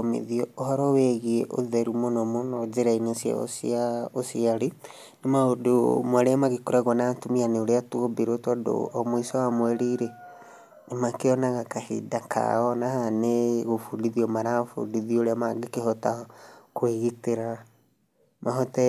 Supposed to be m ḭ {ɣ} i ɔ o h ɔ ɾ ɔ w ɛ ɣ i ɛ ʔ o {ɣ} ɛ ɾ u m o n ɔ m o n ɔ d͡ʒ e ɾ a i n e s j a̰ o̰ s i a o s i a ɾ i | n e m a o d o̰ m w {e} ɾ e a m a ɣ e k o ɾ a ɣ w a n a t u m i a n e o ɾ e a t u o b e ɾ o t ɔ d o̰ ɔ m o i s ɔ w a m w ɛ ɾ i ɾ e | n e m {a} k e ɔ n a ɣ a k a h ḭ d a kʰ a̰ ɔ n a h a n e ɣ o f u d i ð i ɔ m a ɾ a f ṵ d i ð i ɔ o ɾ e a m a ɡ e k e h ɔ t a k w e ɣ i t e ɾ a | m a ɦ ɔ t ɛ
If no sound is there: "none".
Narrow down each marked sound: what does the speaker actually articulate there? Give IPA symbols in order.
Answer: ð, ð, a, a

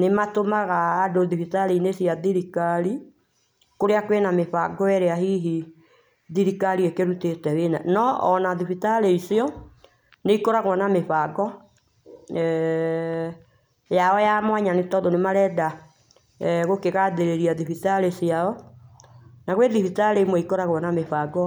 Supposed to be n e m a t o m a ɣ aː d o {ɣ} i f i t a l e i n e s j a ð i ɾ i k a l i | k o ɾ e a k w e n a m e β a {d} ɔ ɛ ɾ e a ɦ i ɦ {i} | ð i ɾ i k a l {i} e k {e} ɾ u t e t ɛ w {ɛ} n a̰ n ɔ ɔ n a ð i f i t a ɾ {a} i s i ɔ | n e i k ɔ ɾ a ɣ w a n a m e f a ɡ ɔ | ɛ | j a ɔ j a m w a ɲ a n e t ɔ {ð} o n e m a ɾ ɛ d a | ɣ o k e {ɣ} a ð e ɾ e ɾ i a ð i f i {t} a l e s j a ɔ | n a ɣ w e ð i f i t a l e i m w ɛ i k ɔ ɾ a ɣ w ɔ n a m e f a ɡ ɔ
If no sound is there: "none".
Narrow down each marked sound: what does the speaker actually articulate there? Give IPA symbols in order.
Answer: ð, ɡ, i, i, e, e, e, ð, ɣ, t

